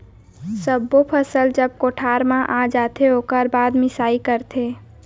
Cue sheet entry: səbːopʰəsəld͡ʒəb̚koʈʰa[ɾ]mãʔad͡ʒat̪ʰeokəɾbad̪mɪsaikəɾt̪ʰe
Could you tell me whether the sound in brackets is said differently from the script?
no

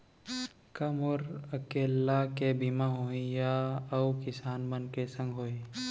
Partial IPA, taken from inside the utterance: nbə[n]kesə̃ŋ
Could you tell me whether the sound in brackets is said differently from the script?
no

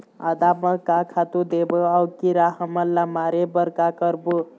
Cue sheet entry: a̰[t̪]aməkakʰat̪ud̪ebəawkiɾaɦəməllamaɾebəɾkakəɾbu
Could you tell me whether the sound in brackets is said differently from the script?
yes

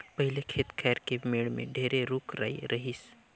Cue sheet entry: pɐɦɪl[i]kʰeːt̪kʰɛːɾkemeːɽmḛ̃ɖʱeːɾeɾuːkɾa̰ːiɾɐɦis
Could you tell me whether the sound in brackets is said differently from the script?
yes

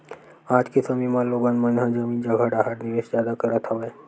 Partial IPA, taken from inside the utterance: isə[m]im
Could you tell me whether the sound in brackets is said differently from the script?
no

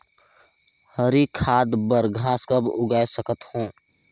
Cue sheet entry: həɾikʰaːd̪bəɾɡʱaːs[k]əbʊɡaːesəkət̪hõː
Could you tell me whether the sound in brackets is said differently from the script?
no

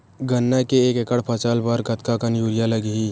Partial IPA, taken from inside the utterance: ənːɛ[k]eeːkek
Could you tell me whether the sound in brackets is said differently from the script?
no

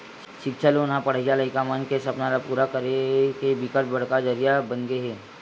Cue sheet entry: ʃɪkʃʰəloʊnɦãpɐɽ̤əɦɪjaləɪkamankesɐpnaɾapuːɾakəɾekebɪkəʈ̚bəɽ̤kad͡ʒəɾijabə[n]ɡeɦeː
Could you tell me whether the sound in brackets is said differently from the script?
no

